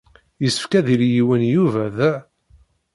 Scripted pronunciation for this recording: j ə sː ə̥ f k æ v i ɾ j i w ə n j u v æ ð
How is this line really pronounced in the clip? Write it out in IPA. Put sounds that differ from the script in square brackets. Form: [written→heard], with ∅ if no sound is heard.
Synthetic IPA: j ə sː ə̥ f k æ [v→ð] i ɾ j i w ə n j u v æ ð